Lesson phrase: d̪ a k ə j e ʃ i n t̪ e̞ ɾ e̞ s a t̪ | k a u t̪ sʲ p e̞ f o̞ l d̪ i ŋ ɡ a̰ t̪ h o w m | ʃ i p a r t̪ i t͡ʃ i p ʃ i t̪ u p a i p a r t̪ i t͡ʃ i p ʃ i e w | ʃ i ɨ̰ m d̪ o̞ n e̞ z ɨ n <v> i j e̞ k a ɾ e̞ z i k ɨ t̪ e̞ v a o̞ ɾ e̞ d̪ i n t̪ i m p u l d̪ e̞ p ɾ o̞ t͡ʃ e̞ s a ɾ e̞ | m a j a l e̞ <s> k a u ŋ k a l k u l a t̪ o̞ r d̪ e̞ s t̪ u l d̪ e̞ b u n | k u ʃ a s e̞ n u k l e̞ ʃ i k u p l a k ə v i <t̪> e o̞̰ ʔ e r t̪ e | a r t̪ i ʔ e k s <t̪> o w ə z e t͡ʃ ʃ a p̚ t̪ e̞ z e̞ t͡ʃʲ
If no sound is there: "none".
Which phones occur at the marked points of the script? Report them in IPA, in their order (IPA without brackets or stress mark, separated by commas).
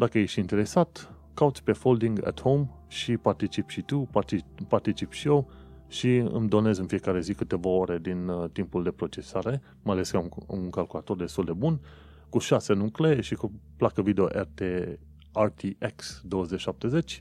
f, s, d̪, d̪